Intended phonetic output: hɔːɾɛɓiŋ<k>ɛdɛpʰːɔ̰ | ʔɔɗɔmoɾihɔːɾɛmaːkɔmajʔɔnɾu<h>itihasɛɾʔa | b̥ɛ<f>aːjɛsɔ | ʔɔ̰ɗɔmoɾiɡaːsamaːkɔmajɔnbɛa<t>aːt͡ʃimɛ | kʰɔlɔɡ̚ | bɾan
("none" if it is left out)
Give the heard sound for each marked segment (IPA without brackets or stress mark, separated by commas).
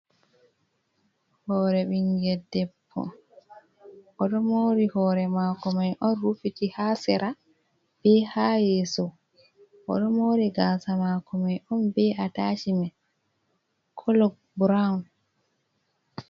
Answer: ɡ, f, h, t